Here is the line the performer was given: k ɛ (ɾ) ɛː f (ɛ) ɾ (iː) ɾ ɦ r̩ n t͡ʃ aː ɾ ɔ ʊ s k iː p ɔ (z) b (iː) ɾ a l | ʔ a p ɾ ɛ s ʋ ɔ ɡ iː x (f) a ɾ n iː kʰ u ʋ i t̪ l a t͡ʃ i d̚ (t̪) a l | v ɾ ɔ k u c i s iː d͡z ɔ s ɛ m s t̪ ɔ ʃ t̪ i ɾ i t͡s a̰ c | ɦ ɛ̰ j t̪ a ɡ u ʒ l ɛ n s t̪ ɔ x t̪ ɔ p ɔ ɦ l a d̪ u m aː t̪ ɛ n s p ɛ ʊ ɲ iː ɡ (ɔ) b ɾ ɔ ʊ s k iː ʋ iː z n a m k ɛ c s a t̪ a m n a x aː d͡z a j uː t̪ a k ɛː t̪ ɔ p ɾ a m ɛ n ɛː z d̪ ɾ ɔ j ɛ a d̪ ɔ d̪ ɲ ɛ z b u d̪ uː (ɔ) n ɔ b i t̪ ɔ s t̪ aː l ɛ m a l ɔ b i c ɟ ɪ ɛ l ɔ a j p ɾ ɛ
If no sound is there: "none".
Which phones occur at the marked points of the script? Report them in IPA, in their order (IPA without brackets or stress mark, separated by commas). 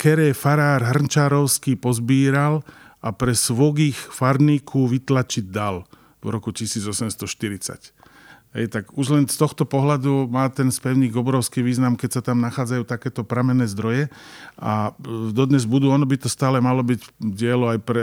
ɾ, a, aː, z, iː, f, d̪, ɔ, ɔ